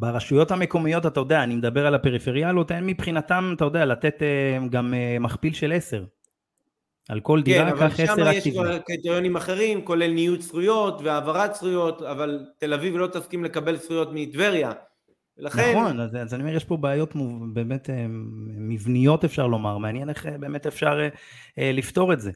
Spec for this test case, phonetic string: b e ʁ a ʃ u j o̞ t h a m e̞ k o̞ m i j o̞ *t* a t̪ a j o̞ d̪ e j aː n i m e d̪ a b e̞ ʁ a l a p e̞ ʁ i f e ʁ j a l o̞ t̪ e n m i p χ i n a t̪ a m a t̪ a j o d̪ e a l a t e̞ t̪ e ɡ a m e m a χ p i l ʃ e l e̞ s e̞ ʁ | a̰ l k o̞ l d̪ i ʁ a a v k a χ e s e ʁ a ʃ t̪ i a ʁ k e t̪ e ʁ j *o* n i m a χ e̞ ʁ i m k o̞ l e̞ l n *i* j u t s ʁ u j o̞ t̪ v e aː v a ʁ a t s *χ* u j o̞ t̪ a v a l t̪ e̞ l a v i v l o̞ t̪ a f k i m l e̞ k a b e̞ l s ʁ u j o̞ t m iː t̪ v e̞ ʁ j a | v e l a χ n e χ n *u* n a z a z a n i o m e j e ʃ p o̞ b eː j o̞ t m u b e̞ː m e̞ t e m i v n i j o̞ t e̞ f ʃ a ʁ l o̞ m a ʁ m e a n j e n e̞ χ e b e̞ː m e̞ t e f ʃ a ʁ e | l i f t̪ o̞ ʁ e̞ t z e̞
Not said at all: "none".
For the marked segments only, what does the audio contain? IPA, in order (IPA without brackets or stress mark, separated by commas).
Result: t, o, i, ʁ, o